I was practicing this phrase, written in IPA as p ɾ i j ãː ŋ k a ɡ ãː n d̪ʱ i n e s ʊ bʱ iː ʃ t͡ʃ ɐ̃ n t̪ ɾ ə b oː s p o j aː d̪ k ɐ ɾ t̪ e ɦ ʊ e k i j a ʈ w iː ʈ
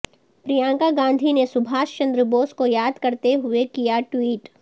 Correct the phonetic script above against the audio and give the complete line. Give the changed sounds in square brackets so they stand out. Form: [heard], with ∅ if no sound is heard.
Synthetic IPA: p ɾ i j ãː ŋ k a ɡ ãː n d̪ʱ i n e s ʊ bʱ [aː] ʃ t͡ʃ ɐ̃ n [d̪] ɾ ə b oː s [k] o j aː d̪ k ɐ ɾ t̪ e ɦ ʊ e k i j a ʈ w iː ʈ